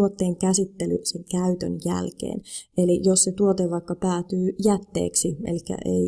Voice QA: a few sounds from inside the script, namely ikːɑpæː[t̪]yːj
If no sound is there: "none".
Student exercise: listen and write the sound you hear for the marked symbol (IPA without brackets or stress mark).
t̪